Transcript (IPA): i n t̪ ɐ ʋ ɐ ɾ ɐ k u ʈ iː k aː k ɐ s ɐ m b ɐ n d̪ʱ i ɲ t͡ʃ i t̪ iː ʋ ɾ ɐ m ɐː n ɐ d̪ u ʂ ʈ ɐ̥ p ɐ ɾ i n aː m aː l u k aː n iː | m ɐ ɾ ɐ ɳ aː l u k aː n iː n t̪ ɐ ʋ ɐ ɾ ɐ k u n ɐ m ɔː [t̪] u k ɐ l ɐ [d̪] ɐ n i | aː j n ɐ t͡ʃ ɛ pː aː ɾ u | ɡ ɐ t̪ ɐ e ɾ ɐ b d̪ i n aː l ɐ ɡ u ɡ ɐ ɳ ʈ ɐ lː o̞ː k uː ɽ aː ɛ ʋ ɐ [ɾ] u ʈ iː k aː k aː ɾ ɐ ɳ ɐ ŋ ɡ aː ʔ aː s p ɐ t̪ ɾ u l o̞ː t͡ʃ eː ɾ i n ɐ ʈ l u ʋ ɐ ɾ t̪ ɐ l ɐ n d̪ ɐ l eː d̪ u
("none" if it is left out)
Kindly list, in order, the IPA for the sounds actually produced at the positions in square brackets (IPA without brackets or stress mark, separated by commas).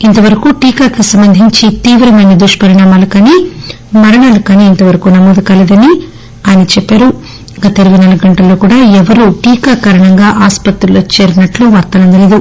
d̪, d̪, ɾ